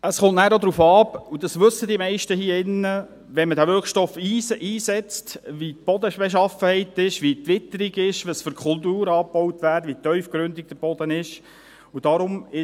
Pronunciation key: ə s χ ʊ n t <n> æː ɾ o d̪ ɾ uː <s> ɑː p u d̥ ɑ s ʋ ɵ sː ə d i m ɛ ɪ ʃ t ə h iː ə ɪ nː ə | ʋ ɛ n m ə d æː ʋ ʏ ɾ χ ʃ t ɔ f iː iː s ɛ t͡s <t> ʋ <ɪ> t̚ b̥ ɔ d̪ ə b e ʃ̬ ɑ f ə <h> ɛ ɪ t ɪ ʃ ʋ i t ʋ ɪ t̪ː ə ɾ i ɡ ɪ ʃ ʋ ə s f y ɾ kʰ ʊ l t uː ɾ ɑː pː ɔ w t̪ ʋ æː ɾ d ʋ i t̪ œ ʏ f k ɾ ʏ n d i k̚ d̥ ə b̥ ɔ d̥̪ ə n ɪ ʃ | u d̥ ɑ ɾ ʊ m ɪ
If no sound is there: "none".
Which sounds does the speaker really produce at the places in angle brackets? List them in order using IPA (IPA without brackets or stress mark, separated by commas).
n, f, t, i, h